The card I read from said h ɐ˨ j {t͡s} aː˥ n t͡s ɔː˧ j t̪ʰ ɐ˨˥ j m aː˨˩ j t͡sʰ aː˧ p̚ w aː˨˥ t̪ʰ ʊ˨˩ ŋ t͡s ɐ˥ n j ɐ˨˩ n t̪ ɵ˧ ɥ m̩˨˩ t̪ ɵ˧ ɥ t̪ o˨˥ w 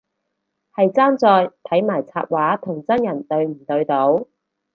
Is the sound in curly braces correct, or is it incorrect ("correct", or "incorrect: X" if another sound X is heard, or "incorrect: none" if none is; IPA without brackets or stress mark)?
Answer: correct